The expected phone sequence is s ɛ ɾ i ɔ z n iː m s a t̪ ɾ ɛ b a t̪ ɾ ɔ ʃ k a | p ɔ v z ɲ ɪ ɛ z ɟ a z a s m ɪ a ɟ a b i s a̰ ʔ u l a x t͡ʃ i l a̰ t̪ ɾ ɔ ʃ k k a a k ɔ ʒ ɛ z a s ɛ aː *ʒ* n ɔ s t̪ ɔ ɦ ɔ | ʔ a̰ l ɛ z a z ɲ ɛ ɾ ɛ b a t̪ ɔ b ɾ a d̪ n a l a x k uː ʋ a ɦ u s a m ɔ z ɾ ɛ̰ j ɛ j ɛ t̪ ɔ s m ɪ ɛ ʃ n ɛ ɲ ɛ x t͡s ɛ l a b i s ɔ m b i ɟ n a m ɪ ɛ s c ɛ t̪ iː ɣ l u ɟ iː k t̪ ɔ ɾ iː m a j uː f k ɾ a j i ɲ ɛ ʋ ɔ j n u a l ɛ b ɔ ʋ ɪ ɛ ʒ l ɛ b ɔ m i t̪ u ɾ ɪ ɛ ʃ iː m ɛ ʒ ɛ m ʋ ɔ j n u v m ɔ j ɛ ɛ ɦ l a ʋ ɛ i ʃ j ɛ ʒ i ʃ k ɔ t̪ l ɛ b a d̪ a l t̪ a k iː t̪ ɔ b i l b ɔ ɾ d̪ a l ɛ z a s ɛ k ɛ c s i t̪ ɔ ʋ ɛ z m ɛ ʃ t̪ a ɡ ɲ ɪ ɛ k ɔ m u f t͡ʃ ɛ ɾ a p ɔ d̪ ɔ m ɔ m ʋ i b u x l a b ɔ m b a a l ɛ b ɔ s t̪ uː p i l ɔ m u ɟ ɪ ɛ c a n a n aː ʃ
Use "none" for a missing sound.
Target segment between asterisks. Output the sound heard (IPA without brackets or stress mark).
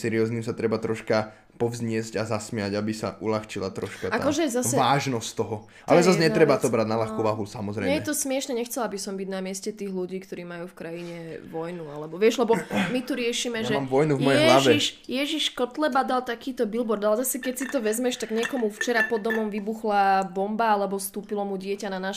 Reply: ʒ